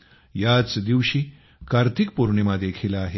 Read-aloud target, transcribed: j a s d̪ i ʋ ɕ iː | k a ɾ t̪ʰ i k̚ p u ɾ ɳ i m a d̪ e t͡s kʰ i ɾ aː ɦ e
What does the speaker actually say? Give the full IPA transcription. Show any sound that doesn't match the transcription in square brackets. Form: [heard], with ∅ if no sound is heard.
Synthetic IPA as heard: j a [t͡s] d̪ i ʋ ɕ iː | k a ɾ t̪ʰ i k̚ p u ɾ ɳ i m a d̪ e [∅] kʰ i [l] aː ɦ e